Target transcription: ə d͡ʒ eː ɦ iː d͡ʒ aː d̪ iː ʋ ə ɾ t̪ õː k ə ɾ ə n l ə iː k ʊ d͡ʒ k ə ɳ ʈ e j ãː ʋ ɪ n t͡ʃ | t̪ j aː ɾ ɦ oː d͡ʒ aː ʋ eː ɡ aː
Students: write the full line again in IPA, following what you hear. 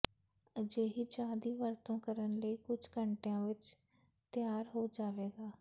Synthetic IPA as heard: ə d͡ʒ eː ɦ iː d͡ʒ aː d̪ iː ʋ ə ɾ t̪ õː k ə ɾ ə n l ə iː k ʊ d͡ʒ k ə ɳ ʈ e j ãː ʋ ɪ t͡ʃ | t̪ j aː ɾ ɦ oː d͡ʒ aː ʋ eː ɡ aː